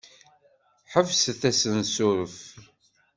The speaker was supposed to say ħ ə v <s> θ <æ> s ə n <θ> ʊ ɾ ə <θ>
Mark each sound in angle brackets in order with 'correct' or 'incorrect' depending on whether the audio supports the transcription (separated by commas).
correct, correct, incorrect, incorrect